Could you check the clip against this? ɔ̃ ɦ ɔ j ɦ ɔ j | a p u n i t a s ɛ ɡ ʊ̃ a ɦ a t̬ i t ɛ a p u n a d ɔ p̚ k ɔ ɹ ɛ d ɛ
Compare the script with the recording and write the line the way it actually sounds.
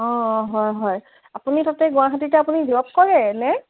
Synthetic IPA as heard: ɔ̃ ɦ ɔ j ɦ ɔ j | a p u n i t a t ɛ ɡ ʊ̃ a ɦ a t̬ i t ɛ a p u n i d ɔ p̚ k ɔ ɹ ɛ n ɛ

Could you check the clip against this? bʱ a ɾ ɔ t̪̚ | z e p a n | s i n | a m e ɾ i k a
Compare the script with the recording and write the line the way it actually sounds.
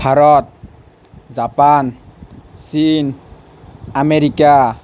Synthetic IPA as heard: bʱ a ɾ ɔ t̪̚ | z a p a n | s i n | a m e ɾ i k a

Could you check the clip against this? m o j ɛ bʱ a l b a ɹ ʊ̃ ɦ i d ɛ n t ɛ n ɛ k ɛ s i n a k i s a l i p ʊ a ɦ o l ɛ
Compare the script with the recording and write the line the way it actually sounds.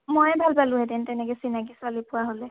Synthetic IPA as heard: m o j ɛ bʱ a l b a l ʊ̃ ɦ ɛ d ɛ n t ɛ n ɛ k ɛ s i n a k i s a l i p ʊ a ɦ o l ɛ

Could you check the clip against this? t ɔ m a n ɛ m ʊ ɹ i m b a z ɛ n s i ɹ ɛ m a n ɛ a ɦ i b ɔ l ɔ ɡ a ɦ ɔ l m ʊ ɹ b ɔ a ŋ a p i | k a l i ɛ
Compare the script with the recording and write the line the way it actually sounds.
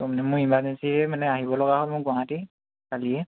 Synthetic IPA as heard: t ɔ m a n ɛ m ʊ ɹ i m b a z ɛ n s i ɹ ɛ m a n ɛ a ɦ i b ɔ l ɔ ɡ a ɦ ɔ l m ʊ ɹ ɡ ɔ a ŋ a t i | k a l i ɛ

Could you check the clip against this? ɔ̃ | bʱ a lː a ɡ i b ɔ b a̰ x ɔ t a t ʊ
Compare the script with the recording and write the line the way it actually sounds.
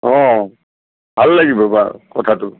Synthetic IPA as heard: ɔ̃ | bʱ a lː a ɡ i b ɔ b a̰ k ɔ tʰ a t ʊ

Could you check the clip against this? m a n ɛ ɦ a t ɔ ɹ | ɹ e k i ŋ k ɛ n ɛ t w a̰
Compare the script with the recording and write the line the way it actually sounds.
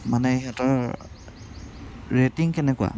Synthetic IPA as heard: m a n ɛ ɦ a t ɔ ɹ | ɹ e t i ŋ k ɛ n ɛ k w a̰

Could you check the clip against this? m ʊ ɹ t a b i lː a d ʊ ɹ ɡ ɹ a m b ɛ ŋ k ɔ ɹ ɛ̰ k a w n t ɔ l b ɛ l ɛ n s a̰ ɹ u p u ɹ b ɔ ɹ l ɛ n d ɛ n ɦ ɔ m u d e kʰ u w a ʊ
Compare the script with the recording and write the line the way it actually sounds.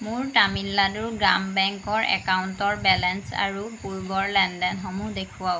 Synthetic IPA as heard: m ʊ ɹ t a m i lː a d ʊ ɹ ɡ ɹ a m b ɛ ŋ k ɔ ɹ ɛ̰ k a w n t ɔ ɹ b ɛ l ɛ n s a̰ ɹ u p u ɹ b ɔ ɹ l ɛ n d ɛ n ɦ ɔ m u d e kʰ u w a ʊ

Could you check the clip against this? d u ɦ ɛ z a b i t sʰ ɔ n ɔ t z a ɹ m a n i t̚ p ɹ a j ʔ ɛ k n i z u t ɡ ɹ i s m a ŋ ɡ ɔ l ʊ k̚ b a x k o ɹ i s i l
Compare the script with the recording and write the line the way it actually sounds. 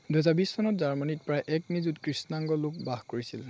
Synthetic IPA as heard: d u ɦ ɛ z a b i s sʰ ɔ n ɔ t z a ɹ m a n i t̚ p ɹ a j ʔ ɛ k n i z u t k ɹ i s n a ŋ ɡ ɔ l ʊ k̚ b a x k o ɹ i s i l

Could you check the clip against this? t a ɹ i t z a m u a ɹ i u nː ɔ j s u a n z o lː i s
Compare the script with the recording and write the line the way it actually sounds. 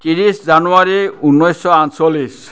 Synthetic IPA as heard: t i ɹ i s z a n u a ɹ i u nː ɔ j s ɔ a n s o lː i s

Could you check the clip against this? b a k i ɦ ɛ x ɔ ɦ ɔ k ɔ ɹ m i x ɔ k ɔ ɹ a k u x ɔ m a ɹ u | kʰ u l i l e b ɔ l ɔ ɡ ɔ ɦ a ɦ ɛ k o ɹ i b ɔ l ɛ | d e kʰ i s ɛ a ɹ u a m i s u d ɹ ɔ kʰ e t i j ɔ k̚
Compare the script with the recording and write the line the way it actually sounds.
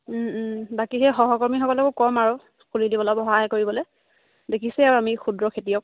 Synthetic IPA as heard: b a k i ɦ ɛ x ɔ ɦ ɔ k ɔ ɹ m i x ɔ k ɔ l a k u k ɔ m a ɹ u | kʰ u l i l i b ɔ l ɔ b ɔ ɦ a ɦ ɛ k o ɹ i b ɔ l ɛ | d e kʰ i s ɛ a ɹ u a m i x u d ɹ ɔ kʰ e t i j ɔ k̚

